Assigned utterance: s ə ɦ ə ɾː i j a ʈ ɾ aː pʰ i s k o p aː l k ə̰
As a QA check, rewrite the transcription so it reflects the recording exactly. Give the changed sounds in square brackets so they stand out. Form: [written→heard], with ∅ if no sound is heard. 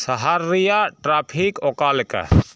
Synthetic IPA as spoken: s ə ɦ [ə→a] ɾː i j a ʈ ɾ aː pʰ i [s→∅] k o [p→k] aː l k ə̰